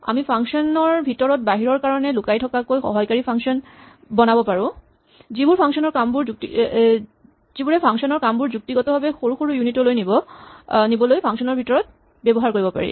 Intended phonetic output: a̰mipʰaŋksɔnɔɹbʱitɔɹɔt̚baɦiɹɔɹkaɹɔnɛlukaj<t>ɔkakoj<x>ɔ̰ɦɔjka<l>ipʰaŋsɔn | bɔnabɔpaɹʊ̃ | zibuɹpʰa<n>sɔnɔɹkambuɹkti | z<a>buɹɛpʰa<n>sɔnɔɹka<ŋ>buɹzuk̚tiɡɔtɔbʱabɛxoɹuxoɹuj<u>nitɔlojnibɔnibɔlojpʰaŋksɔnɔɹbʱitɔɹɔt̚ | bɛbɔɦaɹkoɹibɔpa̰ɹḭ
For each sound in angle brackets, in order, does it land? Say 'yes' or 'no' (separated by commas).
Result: no, yes, no, no, no, no, no, yes